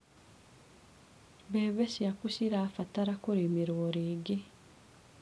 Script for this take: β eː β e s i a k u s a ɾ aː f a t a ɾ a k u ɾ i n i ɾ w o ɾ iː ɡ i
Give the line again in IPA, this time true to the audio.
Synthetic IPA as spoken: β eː β e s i a k u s i ɾ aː f a t a ɾ a k u ɾ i m i ɾ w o ɾ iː ɡ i